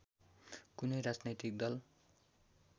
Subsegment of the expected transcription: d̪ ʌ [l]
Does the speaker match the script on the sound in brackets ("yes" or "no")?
yes